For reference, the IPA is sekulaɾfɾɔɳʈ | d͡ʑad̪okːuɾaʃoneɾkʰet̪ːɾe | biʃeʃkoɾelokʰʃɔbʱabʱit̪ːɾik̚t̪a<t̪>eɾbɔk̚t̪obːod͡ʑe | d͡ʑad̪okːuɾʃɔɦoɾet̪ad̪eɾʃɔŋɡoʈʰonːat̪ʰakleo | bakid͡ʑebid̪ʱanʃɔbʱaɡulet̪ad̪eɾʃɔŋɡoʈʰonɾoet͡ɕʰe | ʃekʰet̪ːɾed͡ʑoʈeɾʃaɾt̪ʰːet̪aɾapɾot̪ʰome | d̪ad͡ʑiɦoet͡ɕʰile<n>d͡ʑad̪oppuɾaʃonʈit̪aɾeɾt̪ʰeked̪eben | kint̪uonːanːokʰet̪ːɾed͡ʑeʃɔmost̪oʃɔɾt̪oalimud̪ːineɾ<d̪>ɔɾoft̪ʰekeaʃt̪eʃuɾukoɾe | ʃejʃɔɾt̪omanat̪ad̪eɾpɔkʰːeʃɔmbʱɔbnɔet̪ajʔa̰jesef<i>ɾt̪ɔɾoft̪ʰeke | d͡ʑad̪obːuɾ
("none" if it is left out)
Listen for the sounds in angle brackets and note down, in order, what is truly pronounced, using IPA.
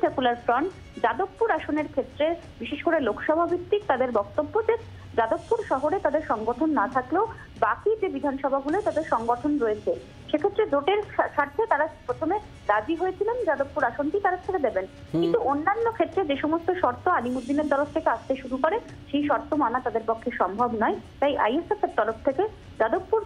d̪, n, t̪, e

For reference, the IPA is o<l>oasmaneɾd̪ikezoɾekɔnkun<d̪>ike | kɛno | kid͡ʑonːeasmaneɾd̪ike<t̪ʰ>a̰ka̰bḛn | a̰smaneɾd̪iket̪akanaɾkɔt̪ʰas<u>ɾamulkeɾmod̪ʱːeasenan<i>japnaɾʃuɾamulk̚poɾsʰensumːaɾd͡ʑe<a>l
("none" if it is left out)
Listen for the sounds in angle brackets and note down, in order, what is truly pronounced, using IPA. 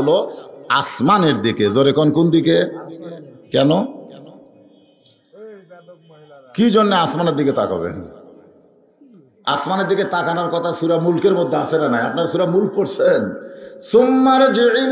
l, d̪, t̪, u, a, i

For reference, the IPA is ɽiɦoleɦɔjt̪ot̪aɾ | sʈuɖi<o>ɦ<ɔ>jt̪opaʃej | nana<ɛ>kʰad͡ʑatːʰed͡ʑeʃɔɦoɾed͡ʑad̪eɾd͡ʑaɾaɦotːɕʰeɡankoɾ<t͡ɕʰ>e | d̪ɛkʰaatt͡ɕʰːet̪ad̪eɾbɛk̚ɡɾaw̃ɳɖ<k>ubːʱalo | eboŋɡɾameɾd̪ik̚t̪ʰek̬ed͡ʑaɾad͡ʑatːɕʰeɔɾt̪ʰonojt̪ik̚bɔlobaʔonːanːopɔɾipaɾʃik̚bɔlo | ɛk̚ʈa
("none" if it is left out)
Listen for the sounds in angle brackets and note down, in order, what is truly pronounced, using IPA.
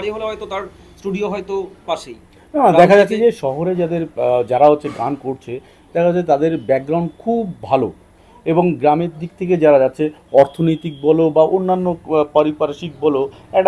o, ɔ, ɛ, t͡ɕʰ, kʰ

